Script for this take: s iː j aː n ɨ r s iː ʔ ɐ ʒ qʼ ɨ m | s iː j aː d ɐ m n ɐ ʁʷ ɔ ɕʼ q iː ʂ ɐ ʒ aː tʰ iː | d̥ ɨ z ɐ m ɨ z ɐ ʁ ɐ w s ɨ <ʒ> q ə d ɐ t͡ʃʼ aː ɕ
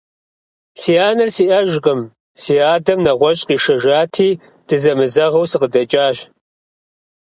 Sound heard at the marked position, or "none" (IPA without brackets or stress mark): none